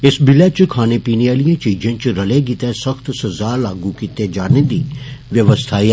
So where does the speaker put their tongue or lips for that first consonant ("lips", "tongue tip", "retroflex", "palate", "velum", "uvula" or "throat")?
tongue tip